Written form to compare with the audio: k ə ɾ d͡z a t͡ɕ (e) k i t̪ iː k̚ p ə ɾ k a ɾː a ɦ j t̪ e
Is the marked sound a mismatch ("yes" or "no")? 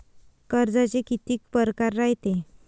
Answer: no